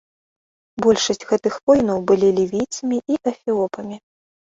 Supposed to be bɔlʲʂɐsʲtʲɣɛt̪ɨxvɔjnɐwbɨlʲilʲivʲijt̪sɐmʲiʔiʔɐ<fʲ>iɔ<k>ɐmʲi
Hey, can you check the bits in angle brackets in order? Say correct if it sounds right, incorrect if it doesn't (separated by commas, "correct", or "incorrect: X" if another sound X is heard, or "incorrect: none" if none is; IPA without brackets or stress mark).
correct, incorrect: p